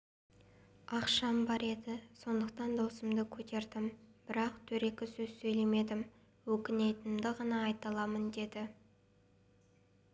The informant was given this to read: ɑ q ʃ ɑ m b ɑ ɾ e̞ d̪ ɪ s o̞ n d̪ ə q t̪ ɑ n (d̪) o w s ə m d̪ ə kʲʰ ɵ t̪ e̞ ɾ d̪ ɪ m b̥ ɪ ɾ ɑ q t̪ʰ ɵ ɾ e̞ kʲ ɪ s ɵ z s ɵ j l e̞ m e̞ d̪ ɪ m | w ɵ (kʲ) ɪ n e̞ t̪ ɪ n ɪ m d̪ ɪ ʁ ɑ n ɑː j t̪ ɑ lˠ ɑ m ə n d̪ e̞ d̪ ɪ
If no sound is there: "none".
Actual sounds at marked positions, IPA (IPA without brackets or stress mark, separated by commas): d̪, kʲ